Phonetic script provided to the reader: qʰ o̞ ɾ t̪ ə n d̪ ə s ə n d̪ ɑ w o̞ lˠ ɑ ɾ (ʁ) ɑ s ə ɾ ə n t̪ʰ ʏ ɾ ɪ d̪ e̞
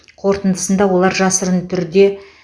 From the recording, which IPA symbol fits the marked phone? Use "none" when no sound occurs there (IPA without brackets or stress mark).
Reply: ʒ